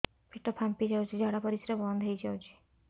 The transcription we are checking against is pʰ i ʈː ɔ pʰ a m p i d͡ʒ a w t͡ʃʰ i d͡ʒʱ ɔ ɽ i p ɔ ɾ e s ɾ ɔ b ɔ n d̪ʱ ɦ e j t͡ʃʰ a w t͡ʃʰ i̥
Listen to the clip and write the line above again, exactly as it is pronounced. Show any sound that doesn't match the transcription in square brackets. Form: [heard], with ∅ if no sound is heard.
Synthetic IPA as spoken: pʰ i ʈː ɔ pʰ a m p i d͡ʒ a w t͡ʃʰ i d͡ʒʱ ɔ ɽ [a] p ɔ ɾ [i] s ɾ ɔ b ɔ n d̪ʱ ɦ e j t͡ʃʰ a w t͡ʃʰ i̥

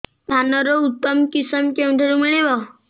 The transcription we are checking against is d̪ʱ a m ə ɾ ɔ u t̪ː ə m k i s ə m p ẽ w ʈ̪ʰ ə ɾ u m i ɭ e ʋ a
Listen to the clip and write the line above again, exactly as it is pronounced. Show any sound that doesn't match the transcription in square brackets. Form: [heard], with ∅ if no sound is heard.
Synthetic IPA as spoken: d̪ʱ a [n] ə ɾ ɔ u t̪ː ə m k i s ə m [k] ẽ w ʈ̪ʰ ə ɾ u m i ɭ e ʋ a

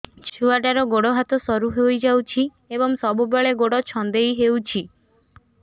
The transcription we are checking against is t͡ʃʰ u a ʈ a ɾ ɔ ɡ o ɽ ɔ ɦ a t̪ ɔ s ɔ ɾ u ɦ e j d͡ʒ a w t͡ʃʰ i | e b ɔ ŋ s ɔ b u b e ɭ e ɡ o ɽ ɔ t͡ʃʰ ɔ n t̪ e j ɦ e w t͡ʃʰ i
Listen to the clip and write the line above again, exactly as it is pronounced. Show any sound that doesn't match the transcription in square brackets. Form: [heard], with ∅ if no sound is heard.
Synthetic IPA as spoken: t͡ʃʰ u a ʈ a ɾ ɔ ɡ o ɽ ɔ ɦ a t̪ ɔ s ɔ ɾ u ɦ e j d͡ʒ a w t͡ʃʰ i | e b ɔ ŋ s ɔ b u b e ɭ e ɡ o ɽ ɔ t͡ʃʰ ɔ n [d̪] e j ɦ e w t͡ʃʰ i

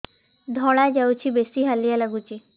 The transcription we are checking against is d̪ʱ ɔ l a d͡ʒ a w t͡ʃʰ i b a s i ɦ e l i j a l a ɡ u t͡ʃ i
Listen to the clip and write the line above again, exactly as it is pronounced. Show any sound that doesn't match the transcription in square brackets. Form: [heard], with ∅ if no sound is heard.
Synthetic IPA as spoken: d̪ʱ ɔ [ɭ] a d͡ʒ a w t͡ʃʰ i b [e] s i ɦ [a] l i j a l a ɡ u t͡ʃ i

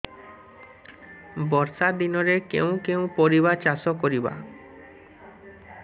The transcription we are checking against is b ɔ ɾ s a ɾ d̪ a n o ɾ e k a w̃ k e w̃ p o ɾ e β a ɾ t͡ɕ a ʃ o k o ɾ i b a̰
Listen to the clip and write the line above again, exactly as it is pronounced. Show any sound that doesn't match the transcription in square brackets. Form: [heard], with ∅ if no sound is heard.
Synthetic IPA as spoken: b ɔ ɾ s a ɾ d̪ [i] n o ɾ e k [e] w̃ k e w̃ p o ɾ [i] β a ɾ t͡ɕ a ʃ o k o ɾ i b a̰

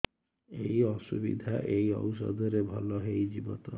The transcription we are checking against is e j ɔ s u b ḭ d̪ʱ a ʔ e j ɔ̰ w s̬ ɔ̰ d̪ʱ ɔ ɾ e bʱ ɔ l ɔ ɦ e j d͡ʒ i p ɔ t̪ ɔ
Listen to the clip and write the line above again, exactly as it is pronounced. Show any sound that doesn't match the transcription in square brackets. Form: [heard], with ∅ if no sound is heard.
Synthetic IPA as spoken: e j ɔ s u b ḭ d̪ʱ a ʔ e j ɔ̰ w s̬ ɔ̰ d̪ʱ ɔ ɾ e bʱ ɔ l ɔ ɦ e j d͡ʒ i [b] ɔ t̪ ɔ

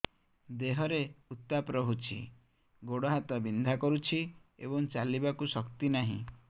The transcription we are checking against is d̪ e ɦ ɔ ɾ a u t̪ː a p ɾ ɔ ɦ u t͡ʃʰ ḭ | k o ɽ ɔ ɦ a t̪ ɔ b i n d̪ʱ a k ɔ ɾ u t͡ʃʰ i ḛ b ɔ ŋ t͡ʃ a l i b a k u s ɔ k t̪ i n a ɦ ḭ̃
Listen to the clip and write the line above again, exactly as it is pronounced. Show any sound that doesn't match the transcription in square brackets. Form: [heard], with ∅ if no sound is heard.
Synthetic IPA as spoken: d̪ e ɦ ɔ ɾ [e] u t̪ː a p ɾ ɔ ɦ u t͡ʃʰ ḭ | [ɡ] o ɽ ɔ ɦ a t̪ ɔ b i n d̪ʱ a k ɔ ɾ u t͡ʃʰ i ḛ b ɔ ŋ t͡ʃ a l i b a k u s ɔ k t̪ i n a ɦ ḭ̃

